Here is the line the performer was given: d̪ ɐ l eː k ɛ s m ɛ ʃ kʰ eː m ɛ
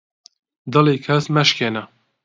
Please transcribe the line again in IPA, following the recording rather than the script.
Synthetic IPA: d̪ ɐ l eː kʰ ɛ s m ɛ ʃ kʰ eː n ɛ